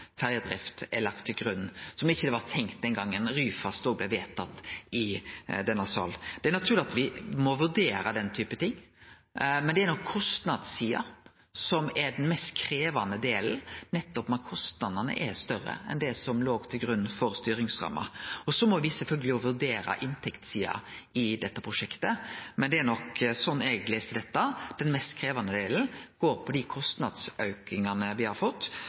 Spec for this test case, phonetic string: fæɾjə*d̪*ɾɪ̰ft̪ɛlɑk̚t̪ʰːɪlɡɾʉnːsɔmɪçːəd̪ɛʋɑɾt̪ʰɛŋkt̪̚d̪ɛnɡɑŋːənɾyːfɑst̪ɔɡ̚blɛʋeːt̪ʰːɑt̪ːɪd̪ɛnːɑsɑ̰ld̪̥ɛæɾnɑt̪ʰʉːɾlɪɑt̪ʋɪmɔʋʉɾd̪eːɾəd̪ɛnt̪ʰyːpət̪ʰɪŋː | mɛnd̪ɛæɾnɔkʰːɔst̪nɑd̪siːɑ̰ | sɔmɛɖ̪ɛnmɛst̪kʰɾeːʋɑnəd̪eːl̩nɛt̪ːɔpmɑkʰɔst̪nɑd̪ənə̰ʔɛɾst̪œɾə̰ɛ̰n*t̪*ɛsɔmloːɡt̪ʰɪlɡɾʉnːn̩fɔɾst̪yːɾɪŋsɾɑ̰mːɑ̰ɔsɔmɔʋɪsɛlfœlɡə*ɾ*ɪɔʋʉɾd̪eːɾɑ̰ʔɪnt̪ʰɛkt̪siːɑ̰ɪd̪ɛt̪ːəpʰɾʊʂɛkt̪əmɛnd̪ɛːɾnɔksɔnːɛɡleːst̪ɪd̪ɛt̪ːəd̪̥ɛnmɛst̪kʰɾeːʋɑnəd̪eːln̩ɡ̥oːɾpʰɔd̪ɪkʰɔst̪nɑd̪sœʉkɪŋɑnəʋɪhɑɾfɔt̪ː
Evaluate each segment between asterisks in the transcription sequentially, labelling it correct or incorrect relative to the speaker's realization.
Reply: correct, incorrect, incorrect

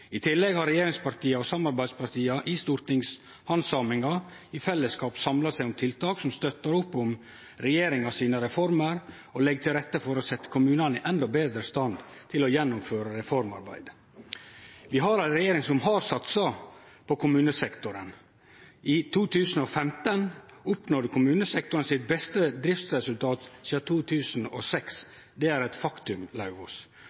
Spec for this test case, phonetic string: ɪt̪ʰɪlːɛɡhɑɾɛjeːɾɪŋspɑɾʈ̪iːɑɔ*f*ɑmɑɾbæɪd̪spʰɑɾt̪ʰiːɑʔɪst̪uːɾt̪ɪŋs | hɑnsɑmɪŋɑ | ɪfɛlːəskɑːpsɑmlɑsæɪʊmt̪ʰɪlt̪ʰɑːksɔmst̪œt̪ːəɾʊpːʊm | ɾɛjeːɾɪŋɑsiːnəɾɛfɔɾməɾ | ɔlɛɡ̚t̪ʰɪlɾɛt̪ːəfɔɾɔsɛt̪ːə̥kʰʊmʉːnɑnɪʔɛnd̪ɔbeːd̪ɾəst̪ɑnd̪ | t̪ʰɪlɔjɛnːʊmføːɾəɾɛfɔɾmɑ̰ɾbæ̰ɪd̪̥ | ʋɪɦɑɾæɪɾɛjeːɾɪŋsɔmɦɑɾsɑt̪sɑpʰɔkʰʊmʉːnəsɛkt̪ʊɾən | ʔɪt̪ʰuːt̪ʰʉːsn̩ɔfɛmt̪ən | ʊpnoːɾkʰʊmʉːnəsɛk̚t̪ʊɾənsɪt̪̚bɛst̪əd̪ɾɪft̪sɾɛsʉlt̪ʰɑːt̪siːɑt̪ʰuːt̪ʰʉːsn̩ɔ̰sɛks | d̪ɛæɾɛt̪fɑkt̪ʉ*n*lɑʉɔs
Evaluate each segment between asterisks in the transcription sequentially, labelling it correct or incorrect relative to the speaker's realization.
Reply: incorrect, incorrect

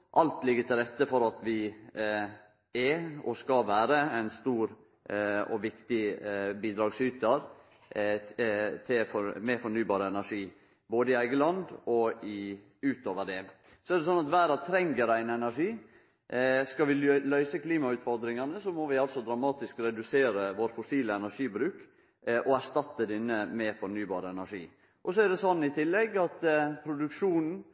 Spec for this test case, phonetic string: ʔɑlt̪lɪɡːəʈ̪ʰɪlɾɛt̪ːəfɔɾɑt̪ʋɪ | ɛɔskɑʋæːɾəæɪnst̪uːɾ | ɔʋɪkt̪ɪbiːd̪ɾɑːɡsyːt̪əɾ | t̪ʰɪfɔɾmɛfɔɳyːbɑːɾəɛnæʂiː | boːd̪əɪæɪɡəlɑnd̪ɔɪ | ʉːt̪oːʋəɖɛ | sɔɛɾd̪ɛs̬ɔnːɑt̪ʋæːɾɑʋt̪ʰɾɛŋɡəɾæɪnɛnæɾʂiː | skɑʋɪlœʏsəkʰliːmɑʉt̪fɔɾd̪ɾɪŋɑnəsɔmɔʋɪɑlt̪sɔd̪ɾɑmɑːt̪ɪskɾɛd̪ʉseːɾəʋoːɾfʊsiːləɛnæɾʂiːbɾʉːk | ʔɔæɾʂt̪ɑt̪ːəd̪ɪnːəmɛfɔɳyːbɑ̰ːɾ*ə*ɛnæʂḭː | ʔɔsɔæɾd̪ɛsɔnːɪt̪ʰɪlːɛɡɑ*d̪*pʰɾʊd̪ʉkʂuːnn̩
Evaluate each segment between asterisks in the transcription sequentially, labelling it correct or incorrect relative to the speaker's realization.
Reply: correct, incorrect

